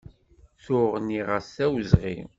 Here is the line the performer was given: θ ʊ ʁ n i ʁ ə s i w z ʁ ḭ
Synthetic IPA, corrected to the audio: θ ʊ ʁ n i ʁ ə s æ w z ʁ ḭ